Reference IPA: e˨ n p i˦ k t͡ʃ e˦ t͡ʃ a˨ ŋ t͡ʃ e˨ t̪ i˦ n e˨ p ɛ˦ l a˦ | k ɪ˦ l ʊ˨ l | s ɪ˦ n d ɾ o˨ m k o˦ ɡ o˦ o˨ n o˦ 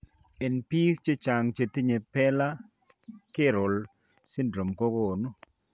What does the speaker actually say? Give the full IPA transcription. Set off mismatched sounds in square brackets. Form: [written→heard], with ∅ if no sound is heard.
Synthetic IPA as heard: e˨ n p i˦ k t͡ʃ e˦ t͡ʃ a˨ ŋ t͡ʃ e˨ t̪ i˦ [n→ɲ] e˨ p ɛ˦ l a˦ | k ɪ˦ [l→ɾ] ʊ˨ l | s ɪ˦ n d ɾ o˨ m k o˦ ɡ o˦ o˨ n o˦

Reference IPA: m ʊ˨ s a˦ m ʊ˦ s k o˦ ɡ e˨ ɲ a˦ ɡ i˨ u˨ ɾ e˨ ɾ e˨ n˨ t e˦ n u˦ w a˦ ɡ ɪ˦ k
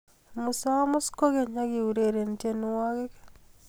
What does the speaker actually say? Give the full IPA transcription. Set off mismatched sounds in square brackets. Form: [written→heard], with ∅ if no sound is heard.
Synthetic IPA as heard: m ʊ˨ s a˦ m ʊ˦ s k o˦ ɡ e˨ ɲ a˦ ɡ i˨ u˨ ɾ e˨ ɾ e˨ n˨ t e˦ n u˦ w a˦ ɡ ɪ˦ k

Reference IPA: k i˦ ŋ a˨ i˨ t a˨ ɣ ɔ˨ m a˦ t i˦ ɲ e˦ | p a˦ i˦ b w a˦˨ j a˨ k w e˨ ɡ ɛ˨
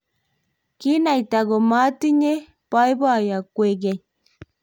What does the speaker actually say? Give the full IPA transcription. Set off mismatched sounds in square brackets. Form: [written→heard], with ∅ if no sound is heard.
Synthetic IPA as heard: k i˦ [ŋ→n] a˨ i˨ t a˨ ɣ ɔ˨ m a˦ t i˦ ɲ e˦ | p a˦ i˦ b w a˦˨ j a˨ k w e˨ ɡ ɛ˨

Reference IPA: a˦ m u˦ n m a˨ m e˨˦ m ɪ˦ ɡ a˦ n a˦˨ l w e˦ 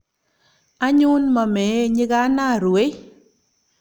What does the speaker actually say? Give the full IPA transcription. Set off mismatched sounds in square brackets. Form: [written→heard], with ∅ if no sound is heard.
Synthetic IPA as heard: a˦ [m→ɲ] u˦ n m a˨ m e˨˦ [m→ɲ] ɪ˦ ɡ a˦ n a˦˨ [l→ɾ] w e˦

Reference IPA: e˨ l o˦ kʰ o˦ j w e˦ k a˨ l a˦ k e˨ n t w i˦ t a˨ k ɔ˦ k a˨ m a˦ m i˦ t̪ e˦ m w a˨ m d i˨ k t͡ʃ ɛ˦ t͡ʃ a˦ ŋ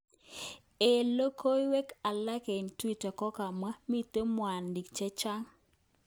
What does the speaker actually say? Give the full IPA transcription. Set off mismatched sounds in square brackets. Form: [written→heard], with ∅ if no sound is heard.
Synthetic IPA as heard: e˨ l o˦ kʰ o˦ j w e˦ k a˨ l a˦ k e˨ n t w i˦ t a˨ k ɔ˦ k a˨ m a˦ m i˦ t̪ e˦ m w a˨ [m→n] d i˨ k t͡ʃ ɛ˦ t͡ʃ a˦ ŋ

